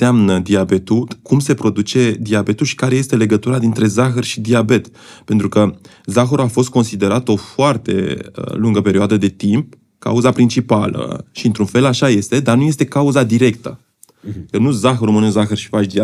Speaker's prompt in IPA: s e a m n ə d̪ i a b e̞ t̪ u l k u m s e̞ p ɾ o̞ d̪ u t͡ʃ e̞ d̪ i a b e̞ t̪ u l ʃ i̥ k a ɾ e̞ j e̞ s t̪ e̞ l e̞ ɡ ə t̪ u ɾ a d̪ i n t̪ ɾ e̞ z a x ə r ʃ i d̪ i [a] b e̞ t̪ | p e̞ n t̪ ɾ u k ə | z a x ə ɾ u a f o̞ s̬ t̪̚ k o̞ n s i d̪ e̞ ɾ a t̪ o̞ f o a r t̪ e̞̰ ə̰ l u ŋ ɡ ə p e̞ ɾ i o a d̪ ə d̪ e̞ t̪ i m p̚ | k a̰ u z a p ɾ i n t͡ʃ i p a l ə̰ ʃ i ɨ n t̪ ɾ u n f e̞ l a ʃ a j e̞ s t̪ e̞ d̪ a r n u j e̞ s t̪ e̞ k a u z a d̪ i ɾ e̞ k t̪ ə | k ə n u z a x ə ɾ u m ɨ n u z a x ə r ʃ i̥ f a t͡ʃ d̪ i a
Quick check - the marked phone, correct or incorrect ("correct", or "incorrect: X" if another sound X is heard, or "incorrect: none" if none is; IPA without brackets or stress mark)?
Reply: correct